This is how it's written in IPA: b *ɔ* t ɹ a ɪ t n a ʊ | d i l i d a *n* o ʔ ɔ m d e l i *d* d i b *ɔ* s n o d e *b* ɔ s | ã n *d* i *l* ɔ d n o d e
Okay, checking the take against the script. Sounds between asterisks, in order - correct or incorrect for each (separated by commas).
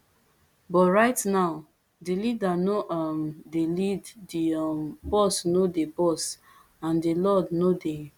correct, correct, correct, correct, correct, correct, correct